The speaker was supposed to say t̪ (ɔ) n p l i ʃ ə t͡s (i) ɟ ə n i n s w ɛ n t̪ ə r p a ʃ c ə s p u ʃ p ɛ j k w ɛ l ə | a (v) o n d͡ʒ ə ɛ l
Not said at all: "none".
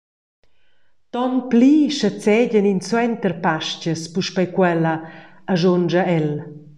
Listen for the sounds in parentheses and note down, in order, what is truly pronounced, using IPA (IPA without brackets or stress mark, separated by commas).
ɔ, ɛ, ʒ